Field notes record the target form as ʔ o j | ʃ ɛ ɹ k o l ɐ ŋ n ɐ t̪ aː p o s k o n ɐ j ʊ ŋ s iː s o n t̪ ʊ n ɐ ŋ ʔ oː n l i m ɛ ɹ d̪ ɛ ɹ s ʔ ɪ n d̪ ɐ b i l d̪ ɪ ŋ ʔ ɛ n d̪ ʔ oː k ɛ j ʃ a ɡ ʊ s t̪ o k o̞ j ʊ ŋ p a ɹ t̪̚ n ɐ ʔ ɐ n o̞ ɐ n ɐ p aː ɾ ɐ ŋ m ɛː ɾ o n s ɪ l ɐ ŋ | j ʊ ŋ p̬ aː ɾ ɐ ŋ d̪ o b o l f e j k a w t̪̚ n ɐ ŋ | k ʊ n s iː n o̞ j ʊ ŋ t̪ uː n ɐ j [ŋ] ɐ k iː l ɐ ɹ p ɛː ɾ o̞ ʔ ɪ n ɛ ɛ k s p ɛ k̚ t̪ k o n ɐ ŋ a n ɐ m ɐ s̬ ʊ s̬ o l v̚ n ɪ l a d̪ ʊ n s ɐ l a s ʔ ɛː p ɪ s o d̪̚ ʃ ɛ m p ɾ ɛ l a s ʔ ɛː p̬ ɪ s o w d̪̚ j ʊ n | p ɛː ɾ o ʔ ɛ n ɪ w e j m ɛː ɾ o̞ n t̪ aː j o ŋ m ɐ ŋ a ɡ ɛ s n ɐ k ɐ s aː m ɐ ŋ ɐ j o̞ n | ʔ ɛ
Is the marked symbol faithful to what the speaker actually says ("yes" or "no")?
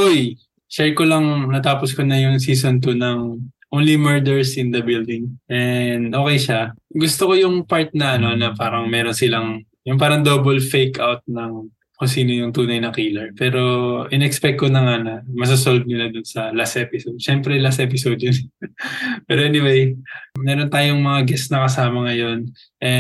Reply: no